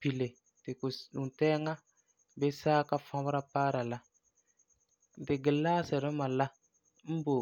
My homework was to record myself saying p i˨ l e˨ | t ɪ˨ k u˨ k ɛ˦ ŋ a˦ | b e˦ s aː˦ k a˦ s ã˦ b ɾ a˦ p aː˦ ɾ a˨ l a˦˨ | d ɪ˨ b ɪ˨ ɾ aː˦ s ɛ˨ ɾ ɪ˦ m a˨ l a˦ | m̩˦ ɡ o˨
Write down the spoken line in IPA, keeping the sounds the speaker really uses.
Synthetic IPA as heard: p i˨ l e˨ | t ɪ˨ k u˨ t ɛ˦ ŋ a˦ | b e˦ s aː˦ k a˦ f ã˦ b ɾ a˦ p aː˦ ɾ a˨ l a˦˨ | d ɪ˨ ɡ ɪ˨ l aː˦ s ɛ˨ ɾ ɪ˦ m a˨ l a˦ | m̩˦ b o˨